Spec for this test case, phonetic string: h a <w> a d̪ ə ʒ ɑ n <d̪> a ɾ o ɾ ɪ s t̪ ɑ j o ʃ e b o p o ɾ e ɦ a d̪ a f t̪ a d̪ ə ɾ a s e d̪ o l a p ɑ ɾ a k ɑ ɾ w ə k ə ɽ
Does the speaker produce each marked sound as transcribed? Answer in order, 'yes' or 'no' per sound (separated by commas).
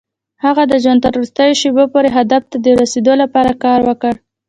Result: no, no